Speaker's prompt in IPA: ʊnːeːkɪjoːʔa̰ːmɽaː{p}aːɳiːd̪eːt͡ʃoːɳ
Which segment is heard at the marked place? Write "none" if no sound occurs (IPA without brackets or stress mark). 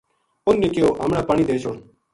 p